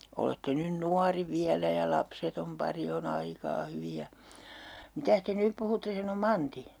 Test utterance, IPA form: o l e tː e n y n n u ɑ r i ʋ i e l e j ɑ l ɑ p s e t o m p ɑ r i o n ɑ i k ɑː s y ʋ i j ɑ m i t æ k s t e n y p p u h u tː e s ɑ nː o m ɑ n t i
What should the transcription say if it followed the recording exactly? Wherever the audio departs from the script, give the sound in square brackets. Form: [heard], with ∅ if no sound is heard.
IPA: o l e tː e n y n n u ɑ r i ʋ i [æ] l [æ] j ɑ l ɑ p s e t o m p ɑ r i o n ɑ i k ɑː [h] y ʋ i j ɑ m i t æ [∅] s t e n y p p u h u tː e s ɑ [n] o m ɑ n t i